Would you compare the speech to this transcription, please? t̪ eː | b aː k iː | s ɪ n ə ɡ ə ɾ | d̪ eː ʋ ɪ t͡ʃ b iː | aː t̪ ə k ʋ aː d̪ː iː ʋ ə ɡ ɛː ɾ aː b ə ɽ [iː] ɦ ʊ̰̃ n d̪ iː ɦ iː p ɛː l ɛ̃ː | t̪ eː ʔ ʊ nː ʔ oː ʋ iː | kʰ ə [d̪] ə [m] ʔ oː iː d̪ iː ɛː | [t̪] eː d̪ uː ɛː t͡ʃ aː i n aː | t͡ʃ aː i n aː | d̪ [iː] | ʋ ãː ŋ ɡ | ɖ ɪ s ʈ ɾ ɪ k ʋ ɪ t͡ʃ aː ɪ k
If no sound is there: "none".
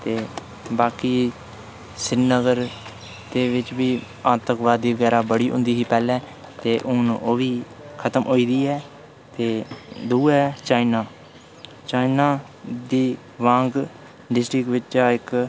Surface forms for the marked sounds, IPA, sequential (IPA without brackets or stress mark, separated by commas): iː, t̪, m, t̪, iː